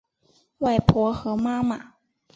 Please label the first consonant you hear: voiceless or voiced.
voiced